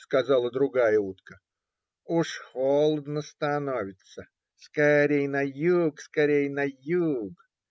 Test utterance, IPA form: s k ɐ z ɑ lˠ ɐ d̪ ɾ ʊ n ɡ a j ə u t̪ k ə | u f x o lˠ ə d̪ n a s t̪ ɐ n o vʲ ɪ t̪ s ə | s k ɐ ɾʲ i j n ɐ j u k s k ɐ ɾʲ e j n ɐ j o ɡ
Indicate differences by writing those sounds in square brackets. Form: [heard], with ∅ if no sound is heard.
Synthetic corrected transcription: s k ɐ z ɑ lˠ [ə] d̪ ɾ ʊ [∅] ɡ a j ə u t̪ k ə | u [ʂ] x o lˠ ə d̪ n [ə] s t̪ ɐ n o vʲ ɪ t̪ s ə | s k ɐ ɾʲ [e] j n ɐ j u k s k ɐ ɾʲ e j n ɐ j [u] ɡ